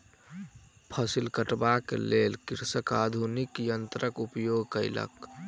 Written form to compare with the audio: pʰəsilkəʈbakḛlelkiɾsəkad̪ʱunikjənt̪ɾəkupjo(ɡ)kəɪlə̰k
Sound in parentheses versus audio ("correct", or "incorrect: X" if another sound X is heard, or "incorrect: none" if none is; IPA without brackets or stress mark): correct